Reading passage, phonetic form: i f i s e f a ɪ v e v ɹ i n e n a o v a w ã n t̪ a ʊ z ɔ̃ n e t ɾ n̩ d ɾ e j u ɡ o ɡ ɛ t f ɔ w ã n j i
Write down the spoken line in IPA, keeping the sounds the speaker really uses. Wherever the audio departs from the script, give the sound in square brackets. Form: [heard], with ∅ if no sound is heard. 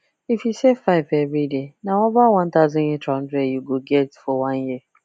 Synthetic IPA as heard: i f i s e f a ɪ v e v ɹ i [d] e n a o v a w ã n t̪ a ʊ z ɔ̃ n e t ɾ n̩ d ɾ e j u ɡ o ɡ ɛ t f ɔ w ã n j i